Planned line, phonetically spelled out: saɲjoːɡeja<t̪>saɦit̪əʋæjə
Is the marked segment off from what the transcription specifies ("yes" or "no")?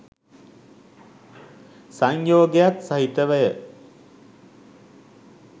no